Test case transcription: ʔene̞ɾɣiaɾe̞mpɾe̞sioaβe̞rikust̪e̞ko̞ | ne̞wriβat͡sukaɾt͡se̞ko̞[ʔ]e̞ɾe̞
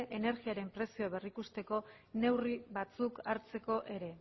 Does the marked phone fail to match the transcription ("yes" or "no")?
no